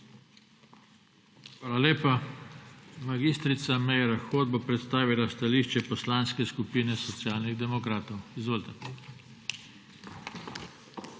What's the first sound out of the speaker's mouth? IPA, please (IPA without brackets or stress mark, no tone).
x